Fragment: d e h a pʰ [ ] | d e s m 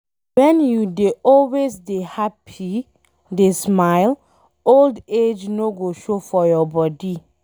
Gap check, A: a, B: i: B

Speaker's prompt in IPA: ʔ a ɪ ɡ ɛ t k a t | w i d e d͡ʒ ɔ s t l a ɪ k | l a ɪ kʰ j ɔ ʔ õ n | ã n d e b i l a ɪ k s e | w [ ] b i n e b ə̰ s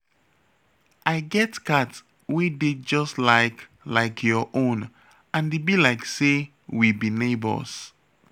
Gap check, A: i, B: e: A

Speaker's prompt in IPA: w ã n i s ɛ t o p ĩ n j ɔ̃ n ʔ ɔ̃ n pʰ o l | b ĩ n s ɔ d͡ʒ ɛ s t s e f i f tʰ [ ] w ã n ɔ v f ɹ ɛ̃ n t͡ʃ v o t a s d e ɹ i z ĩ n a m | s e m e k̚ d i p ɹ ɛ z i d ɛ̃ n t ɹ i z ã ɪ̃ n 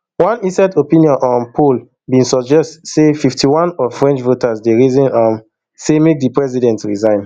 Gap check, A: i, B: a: A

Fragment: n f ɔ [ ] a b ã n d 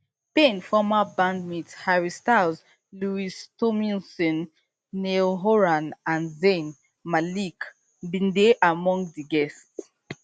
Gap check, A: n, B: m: B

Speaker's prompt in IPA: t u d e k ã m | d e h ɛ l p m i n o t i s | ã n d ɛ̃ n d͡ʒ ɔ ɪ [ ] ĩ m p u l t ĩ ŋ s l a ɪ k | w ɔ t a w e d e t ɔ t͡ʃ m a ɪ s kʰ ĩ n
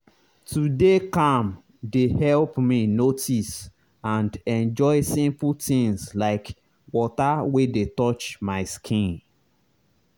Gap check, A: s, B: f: A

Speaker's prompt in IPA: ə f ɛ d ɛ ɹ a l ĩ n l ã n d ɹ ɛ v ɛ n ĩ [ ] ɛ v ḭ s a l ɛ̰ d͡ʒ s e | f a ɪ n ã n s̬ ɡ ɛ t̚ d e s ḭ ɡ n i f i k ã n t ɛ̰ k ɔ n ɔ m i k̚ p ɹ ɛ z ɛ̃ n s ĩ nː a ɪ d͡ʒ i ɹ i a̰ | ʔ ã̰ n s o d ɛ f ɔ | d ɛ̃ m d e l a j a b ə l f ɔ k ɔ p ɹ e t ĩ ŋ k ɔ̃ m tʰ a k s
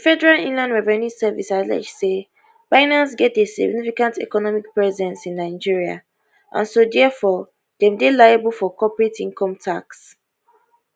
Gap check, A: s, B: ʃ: A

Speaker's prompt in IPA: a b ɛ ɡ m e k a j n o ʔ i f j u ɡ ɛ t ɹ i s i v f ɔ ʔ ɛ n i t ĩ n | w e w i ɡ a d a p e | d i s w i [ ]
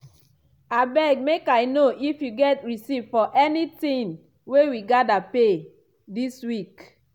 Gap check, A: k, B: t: A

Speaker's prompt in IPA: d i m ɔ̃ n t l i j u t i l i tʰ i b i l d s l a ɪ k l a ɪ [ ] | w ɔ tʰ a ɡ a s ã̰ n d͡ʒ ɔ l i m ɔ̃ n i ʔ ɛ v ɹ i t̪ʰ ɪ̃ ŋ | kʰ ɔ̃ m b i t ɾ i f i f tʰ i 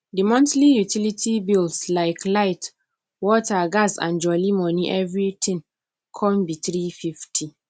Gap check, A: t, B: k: A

